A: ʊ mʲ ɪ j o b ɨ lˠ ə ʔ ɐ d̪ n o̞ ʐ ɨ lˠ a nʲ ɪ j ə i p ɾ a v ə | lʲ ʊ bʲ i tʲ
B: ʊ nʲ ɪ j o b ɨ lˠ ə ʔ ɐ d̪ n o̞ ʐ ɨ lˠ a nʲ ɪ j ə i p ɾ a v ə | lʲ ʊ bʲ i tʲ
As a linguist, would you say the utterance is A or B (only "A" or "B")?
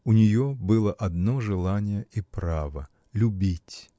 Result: B